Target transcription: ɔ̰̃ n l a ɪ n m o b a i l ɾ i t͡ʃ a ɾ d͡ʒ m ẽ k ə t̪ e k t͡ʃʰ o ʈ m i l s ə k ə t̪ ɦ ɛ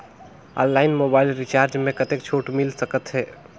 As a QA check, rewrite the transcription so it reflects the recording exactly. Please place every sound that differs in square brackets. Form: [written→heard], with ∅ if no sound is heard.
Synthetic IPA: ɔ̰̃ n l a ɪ n m o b a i l ɾ i t͡ʃ a ɾ d͡ʒ m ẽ k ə t̪ e k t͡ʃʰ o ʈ m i l s ə k ə t̪ ɦ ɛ